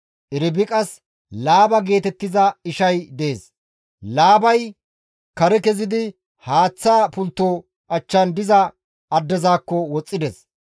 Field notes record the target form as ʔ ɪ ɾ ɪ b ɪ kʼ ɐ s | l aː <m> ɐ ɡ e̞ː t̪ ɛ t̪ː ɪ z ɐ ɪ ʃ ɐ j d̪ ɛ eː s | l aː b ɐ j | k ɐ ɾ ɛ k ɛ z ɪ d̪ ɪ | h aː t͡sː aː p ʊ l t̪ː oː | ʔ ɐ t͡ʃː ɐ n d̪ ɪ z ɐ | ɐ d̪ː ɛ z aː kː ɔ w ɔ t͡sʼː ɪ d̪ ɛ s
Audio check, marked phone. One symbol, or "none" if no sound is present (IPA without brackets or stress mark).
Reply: b